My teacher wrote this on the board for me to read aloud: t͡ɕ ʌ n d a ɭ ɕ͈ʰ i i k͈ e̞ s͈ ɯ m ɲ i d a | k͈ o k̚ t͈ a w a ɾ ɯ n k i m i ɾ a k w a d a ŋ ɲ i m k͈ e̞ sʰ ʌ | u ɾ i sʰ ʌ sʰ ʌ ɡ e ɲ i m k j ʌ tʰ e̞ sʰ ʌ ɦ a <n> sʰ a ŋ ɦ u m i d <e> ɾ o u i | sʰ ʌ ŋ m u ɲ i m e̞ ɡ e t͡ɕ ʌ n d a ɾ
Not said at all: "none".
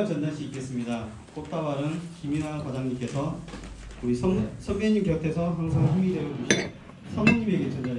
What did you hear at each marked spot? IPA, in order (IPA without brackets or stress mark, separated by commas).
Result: ŋ, e